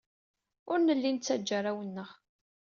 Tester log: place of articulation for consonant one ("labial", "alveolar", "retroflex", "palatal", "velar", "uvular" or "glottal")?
alveolar